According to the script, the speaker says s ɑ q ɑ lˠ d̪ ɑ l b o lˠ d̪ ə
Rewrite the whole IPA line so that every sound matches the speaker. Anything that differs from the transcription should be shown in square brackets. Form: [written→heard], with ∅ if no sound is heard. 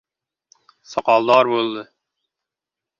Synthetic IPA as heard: s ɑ q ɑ lˠ d̪ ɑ [l→ɾ] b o lˠ d̪ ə